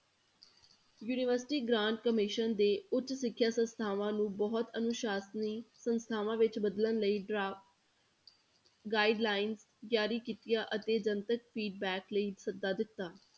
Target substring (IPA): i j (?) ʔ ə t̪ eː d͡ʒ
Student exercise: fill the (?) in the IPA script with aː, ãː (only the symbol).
aː